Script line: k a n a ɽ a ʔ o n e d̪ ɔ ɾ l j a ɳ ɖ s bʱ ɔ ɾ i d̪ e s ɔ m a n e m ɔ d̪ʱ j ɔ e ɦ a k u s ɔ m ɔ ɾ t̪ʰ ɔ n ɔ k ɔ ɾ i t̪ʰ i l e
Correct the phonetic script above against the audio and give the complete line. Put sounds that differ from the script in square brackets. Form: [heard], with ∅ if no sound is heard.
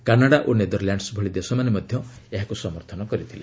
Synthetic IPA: k a n a ɽ a ʔ o n e d̪ ɔ ɾ l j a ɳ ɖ s bʱ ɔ [ɭ] i d̪ e s ɔ m a n e m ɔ d̪ʱ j ɔ e ɦ a k u s ɔ m ɔ ɾ t̪ʰ ɔ n ɔ k ɔ ɾ i t̪ʰ i l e